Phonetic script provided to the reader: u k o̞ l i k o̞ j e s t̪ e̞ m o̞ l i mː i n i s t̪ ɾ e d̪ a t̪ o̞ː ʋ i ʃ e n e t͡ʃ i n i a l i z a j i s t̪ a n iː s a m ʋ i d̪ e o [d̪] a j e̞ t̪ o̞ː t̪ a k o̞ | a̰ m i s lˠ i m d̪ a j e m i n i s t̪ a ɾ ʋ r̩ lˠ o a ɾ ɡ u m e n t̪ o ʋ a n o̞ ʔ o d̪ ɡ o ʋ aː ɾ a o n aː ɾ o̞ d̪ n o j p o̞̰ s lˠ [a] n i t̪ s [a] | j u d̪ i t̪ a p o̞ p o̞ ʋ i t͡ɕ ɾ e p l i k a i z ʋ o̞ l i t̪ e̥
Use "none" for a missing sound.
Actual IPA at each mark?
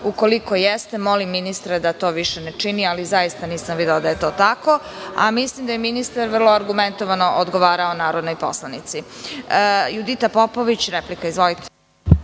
d̪, a, i

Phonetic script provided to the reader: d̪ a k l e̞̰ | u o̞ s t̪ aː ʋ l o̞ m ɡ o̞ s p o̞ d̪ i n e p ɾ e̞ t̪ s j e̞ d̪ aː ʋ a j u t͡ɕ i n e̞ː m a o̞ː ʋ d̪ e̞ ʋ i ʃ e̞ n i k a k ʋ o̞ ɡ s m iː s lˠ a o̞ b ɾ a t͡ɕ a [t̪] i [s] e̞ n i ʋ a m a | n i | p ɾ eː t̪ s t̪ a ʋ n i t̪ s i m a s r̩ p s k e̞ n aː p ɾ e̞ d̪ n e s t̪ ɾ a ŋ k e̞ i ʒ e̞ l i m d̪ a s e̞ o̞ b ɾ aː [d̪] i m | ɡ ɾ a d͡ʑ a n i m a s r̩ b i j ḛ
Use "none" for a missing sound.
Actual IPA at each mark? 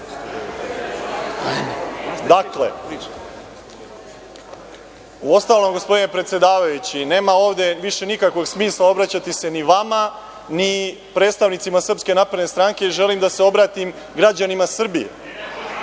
t̪, s, t̪

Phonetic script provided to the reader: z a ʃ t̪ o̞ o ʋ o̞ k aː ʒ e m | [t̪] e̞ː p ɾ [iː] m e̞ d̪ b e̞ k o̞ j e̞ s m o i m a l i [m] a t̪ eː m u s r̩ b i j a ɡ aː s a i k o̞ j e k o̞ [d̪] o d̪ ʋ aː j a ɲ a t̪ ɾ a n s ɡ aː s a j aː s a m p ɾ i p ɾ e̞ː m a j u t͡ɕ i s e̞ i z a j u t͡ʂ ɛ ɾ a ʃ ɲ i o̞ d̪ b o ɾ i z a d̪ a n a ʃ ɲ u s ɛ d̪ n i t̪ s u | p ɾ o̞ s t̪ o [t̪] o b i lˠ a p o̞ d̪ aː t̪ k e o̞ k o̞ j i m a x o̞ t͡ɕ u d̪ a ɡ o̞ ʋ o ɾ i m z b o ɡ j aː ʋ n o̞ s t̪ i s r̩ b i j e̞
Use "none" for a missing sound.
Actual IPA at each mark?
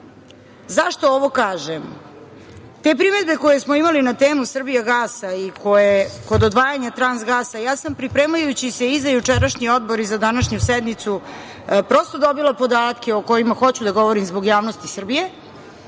t̪, i, n, d̪, d̪

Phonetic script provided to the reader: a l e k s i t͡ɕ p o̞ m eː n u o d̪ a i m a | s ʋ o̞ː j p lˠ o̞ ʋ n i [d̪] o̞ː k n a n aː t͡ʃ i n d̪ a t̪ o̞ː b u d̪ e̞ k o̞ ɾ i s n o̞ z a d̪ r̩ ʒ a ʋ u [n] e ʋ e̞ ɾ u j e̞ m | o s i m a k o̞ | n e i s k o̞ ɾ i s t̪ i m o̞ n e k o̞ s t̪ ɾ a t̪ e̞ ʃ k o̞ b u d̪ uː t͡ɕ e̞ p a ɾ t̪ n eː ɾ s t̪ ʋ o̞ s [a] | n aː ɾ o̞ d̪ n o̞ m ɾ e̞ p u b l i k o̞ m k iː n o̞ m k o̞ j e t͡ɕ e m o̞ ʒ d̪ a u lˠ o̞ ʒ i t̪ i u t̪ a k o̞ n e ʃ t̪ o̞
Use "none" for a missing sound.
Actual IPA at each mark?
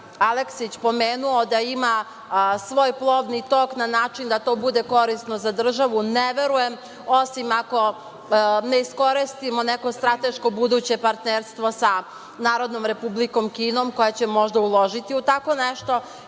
t̪, n, a

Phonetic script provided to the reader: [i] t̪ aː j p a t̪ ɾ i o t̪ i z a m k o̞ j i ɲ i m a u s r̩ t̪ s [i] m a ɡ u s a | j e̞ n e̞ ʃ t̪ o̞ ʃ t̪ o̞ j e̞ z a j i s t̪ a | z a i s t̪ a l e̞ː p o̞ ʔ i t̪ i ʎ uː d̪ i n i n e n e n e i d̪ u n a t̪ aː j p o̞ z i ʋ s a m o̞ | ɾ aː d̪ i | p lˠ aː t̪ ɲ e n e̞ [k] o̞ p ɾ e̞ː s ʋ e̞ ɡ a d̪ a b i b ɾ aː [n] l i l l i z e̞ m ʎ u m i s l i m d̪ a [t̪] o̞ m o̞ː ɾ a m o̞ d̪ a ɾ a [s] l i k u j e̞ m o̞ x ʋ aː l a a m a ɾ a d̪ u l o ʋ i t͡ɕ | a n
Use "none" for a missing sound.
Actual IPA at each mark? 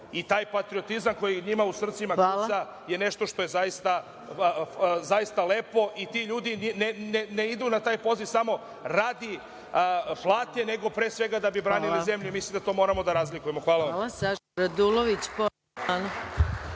i, i, ɡ, n, t̪, z

